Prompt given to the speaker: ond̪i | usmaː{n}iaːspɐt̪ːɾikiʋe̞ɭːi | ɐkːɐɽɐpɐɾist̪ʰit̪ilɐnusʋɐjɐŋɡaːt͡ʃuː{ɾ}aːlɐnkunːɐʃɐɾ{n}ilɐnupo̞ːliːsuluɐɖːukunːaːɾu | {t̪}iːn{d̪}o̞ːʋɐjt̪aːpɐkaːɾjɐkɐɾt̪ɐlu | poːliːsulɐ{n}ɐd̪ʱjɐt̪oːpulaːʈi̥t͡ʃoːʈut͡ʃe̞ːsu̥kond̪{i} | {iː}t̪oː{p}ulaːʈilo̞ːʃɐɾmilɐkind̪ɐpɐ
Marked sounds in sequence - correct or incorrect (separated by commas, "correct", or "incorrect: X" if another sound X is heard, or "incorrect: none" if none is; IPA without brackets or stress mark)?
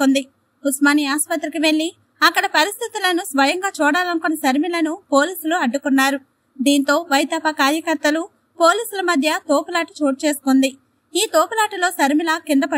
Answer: correct, incorrect: ɽ, incorrect: m, incorrect: d̪, incorrect: t̪, incorrect: m, correct, correct, correct